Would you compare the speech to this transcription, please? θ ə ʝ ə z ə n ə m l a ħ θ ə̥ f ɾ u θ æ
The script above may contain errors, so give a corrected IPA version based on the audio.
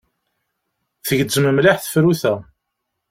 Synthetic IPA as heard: θ ə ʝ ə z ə m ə m l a ħ θ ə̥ f ɾ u θ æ